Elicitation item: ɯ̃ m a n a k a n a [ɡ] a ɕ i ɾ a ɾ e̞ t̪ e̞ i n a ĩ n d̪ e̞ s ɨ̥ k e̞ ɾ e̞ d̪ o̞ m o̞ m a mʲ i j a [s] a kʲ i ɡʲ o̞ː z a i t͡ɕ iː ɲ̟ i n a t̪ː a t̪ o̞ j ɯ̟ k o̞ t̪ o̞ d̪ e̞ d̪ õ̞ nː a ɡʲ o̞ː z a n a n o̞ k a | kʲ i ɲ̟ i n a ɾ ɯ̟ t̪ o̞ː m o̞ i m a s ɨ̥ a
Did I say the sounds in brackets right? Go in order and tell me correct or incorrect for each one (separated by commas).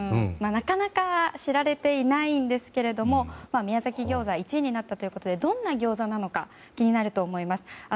incorrect, incorrect